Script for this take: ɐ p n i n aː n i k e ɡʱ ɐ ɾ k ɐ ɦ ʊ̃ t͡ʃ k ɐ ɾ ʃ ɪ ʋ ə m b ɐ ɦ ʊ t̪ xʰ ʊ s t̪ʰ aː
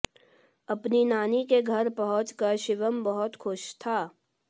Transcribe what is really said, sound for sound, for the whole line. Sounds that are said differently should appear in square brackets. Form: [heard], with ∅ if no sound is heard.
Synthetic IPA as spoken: ɐ p n i n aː n i k e ɡʱ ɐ ɾ [p] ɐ ɦ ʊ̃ t͡ʃ k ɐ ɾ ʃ ɪ ʋ ə m b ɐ ɦ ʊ t̪ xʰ ʊ [ʃ] t̪ʰ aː